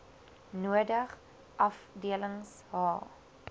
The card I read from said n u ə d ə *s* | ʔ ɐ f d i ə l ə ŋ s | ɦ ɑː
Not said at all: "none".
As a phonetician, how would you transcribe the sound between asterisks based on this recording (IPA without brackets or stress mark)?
χ